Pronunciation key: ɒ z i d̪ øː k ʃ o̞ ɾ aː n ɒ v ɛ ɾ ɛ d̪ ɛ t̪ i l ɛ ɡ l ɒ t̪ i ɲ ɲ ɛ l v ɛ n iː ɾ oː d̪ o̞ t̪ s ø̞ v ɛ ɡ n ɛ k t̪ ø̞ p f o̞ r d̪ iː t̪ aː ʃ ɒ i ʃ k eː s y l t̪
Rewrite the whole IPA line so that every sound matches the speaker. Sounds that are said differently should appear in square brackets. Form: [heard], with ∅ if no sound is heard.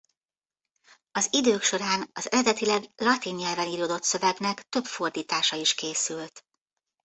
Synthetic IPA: ɒ z i d̪ øː k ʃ o̞ ɾ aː n ɒ [z] ɛ ɾ ɛ d̪ ɛ t̪ i l ɛ ɡ l ɒ t̪ i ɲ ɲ ɛ l v ɛ n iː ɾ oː d̪ o̞ t̪ s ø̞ v ɛ ɡ n ɛ k t̪ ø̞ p f o̞ r d̪ iː t̪ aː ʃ ɒ i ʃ k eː s y l t̪